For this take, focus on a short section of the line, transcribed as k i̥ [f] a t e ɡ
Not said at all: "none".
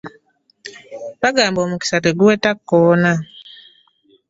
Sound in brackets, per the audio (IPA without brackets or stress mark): s